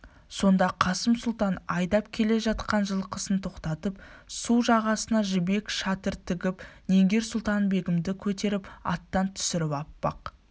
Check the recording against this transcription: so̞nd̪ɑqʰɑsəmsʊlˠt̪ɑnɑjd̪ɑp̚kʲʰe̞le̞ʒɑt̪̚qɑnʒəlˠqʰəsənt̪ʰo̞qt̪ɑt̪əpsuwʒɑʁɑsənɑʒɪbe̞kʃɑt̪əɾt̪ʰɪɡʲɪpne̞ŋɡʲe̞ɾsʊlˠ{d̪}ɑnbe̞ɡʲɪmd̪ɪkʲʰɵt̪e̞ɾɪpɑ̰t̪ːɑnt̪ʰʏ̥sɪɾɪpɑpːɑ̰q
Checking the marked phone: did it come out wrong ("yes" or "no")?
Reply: yes